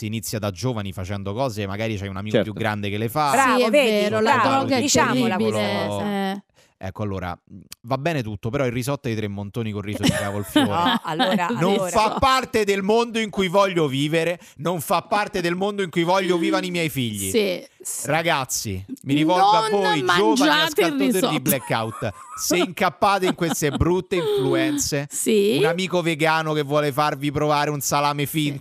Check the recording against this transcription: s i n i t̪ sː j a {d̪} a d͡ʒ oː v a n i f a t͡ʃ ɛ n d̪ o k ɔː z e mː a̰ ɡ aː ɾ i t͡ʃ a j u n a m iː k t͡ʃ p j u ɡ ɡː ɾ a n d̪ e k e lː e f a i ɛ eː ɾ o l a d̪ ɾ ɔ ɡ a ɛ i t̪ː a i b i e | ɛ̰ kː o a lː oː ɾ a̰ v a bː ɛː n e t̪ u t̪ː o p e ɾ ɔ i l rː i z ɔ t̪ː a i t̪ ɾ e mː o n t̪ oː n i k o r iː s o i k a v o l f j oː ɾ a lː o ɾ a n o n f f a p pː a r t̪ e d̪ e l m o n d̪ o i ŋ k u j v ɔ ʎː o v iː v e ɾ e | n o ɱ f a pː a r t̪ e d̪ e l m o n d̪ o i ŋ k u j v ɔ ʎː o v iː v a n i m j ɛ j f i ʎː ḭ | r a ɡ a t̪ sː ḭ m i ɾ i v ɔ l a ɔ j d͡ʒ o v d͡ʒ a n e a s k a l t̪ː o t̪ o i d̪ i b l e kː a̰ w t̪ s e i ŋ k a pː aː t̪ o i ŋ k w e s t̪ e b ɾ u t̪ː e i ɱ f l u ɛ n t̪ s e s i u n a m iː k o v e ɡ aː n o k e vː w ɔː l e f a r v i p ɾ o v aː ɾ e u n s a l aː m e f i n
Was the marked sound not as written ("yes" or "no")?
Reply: no